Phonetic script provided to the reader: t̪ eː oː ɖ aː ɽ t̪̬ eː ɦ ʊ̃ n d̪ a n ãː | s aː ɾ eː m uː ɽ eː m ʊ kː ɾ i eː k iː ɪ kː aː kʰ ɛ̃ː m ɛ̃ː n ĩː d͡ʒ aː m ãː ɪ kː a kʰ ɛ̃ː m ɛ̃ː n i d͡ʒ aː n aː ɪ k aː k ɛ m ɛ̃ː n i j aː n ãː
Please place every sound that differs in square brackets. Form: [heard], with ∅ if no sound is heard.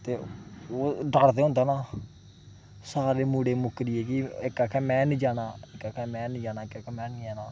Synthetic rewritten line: t̪ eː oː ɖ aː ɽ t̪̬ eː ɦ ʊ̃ n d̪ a n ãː | s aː ɾ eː m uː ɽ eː m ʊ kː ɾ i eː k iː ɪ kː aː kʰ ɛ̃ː m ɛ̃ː n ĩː d͡ʒ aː [n] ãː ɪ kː a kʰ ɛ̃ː m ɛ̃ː n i d͡ʒ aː n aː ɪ k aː k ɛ m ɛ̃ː n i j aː n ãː